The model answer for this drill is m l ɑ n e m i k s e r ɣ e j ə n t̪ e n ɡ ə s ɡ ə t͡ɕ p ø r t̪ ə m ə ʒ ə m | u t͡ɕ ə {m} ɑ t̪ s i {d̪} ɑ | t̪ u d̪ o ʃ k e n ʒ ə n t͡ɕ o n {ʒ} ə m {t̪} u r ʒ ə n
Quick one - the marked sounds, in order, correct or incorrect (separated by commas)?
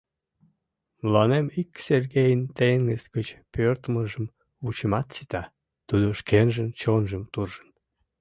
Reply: correct, incorrect, correct, correct